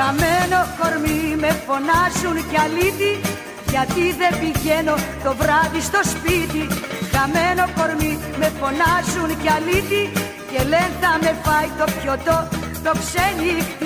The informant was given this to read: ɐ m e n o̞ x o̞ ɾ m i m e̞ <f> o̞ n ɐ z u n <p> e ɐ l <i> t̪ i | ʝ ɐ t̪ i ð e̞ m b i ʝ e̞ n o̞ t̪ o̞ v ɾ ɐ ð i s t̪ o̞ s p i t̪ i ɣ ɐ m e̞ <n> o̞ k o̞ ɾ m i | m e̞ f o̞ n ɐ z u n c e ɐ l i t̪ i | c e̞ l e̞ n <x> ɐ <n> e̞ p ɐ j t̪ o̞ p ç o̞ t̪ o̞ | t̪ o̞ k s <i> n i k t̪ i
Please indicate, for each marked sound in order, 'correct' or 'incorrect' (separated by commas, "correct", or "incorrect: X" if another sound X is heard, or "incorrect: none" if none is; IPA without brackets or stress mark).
correct, incorrect: c, correct, correct, incorrect: θ, incorrect: m, incorrect: e